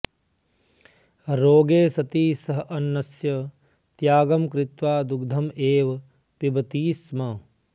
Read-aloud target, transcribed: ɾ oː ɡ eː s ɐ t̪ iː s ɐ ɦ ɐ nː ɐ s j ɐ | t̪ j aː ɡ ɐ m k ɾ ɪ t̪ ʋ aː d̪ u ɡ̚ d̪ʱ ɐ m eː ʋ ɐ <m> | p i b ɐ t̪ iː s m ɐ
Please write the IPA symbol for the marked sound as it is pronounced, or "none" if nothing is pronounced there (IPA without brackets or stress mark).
none